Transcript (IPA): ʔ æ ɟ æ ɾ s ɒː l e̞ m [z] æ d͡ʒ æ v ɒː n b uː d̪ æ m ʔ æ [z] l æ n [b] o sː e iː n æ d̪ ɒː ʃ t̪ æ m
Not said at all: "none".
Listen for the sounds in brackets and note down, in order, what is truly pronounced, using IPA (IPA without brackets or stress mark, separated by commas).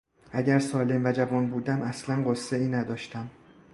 v, s, ɢ